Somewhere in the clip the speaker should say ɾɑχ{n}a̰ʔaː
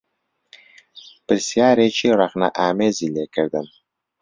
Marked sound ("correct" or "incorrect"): correct